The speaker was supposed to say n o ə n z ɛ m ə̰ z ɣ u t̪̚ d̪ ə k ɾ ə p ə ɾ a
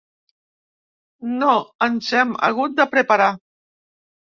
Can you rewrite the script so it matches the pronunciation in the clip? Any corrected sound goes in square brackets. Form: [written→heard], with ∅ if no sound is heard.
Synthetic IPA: n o ə n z ɛ m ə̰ [z→∅] ɣ u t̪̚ d̪ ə [k→p] ɾ ə p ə ɾ a

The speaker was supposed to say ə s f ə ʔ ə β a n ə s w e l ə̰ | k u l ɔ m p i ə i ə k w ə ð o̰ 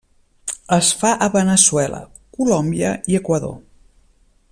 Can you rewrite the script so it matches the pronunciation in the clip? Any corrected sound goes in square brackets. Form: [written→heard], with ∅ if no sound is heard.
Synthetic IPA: ə s f [ə→a] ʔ ə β [a→ə] n ə s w [e→ɛ] l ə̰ | k u l ɔ m [p→b] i ə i ə k w ə ð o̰

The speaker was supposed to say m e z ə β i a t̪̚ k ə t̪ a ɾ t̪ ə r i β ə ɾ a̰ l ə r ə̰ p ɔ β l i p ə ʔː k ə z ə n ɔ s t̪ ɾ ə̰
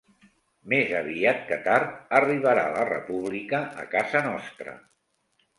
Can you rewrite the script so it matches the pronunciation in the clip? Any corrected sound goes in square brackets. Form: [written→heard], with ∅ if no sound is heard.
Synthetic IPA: m e z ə β i a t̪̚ k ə t̪ a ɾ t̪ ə r i β ə ɾ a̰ l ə r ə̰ p [ɔ→u] β l i [p→k] ə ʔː k [ə→a] z ə n ɔ s t̪ ɾ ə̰

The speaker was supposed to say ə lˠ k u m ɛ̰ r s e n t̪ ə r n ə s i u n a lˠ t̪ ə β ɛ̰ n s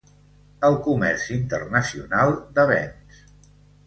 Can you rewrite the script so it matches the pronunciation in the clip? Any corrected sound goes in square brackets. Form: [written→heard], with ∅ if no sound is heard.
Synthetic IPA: ə lˠ k u m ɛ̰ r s [e→i] n t̪ ə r n ə s i u n a lˠ [t̪→d̪] ə β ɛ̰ n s

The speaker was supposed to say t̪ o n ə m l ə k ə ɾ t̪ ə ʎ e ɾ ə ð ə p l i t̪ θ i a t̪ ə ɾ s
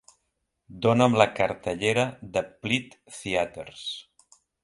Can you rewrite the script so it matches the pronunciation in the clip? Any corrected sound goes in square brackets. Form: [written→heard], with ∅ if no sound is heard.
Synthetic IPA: [t̪→d̪] o n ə m l ə k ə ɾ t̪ ə ʎ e ɾ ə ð ə p l i t̪ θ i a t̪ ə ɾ s

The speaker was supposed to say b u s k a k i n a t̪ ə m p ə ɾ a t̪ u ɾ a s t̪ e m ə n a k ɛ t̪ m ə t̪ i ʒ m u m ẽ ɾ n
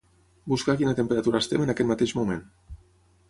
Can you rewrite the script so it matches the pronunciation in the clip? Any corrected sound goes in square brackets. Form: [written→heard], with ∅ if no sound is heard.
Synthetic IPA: b u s k a k i n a t̪ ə m p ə ɾ a t̪ u ɾ a s t̪ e m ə n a k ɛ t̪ m [ə→a] t̪ [i→e] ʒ m u m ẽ [ɾ→∅] n

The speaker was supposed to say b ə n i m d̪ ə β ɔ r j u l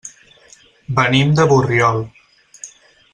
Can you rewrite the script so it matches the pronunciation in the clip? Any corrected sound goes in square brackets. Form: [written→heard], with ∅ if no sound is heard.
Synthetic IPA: b ə n i m d̪ ə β [ɔ→u] r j [u→ɔ] l

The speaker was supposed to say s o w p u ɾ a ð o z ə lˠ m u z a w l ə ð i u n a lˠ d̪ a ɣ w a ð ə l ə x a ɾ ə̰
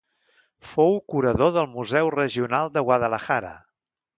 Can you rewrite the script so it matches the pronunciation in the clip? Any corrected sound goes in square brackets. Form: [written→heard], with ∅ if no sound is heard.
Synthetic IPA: [s→f] o w [p→k] u ɾ [a→ə] ð o [z→ð] ə lˠ m u z [a→ɛ] w [l→r] ə [ð→ʒ] i u n a lˠ d̪ [a→ə] ɣ w a ð ə l ə x a ɾ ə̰

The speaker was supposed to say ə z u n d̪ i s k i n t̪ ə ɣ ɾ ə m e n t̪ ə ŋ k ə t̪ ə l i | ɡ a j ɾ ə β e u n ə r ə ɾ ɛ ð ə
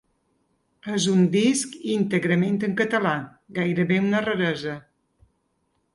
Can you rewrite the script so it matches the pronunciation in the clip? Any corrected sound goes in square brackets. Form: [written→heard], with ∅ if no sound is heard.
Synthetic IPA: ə z u n d̪ i s k i n t̪ ə ɣ ɾ ə m e n t̪ ə ŋ k ə t̪ ə l [i→a] | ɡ a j ɾ ə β e u n ə r ə ɾ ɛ [ð→z] ə

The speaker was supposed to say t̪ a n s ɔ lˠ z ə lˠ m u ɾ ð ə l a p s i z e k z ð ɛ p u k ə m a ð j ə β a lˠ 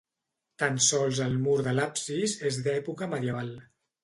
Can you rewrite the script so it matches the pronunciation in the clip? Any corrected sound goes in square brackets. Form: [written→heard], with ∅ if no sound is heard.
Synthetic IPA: t̪ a n s ɔ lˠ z ə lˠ m u ɾ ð ə l a p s i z e [k→∅] z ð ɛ p u k ə m [a→ə] ð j ə β a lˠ

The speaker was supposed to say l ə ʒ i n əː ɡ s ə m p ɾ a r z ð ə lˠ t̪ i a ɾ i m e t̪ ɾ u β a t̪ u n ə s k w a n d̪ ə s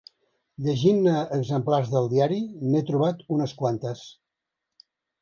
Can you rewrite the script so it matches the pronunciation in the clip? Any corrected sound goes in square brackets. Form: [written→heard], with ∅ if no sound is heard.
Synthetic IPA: [l→ʎ] ə ʒ i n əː ɡ [s→z] ə m p [ɾ→l] a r z ð ə lˠ [t̪→d̪] i a ɾ i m e t̪ ɾ u β a t̪ u n ə s k w a n [d̪→t̪] ə s

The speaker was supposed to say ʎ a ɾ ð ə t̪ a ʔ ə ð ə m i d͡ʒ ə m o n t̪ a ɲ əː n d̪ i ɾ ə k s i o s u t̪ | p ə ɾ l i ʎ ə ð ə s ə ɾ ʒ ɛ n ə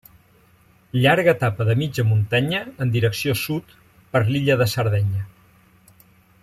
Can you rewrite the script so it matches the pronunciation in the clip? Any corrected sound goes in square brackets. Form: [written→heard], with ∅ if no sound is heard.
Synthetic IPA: ʎ a ɾ [ð→ɣ] ə t̪ a [ʔ→p] ə ð ə m i d͡ʒ ə m [o→u] n t̪ a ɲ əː n d̪ i ɾ ə k s i o s u t̪ | p ə ɾ l i ʎ ə ð ə s ə ɾ [ʒ→ð] ɛ [n→ɲ] ə

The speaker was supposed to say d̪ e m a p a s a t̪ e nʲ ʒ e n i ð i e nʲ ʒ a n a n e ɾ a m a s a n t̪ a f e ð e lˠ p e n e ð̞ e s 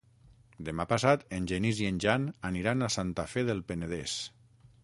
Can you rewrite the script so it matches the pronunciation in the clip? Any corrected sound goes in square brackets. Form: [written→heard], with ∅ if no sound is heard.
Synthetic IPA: d̪ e m a p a s a t̪ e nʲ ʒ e n i [ð→z] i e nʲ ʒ a n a n [e→i] ɾ a [m→n] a s a n t̪ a f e ð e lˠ p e n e ð̞ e s

